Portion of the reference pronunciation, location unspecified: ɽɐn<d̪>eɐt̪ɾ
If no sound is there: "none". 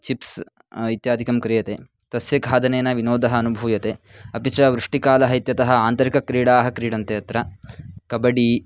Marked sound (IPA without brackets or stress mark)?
t̪